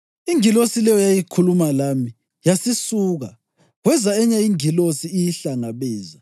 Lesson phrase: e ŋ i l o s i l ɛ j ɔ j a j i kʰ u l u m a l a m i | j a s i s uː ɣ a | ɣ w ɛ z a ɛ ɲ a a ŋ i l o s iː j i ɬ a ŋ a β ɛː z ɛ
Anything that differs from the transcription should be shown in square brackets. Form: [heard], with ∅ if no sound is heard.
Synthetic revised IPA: [i] ŋ i l o s i l ɛ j ɔ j a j i kʰ u l u m a l a m i | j a s i s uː ɣ a | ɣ w ɛ z a ɛ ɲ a [i] ŋ i l o s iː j i ɬ a ŋ a β ɛː z [a]